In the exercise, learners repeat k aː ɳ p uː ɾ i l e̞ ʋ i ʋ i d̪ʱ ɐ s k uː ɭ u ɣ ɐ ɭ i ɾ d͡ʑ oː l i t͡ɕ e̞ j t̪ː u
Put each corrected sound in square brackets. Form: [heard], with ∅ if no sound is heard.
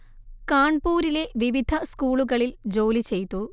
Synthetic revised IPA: k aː ɳ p uː ɾ i l e̞ ʋ i ʋ i d̪ʱ ɐ s k uː ɭ u ɣ ɐ ɭ i [l] d͡ʑ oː l i t͡ɕ e̞ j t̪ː u